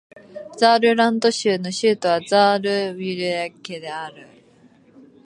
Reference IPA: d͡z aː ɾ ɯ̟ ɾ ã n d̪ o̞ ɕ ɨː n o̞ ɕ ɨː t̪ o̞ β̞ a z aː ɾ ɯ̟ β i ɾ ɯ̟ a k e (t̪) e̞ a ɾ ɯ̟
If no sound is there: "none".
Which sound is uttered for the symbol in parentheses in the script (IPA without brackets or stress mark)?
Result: d̪